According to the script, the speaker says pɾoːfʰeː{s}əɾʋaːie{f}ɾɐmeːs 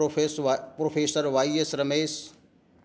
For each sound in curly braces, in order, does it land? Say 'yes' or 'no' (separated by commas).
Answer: yes, no